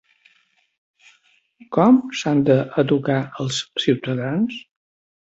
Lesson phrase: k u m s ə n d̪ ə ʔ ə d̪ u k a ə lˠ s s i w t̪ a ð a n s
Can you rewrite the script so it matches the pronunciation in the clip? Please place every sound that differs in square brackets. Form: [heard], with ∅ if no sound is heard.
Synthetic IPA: k [ɔ] m s [a] n d̪ ə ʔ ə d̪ u k a ə lˠ s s i w t̪ [ə] ð a n s